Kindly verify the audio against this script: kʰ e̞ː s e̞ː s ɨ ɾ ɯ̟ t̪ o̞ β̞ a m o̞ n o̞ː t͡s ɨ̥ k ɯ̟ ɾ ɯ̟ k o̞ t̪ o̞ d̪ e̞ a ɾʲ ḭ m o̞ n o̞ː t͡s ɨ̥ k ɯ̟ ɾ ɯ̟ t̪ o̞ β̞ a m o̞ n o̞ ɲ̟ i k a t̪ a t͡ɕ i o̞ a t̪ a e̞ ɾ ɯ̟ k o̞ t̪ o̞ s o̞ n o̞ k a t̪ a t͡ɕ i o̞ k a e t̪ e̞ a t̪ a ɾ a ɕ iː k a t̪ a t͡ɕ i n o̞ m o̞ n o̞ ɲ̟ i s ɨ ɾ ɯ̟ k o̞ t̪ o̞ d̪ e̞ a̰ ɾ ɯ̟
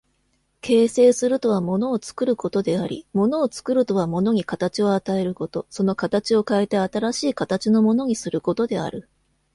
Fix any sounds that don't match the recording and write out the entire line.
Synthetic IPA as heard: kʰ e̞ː s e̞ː s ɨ ɾ ɯ̟ t̪ o̞ β̞ a m o̞ n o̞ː t͡s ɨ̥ k ɯ̟ ɾ ɯ̟ k o̞ t̪ o̞ d̪ e̞ a ɾʲ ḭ m o̞ n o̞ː t͡s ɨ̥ k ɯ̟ ɾ ɯ̟ t̪ o̞ β̞ a m o̞ n o̞ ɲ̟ i k a t̪ a t͡ɕ i o̞ a t̪ a e̞ ɾ ɯ̟ k o̞ t̪ o̞ s o̞ n o̞ k a t̪ a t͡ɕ i o̞ k a e t̪ e̞ a t̪ a ɾ a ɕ iː k a t̪ a t͡ɕ i n o̞ m o̞ n o̞ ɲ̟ i s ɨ ɾ ɯ̟ k o̞ t̪ o̞ d̪ e̞ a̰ ɾ ɯ̟